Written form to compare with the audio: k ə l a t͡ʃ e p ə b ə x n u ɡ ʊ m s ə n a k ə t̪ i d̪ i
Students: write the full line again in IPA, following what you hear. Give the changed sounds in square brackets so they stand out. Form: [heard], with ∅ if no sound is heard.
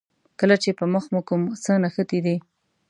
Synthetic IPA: k ə l a t͡ʃ e p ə [m] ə x [m] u [k] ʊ m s ə n a [x] ə t̪ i d̪ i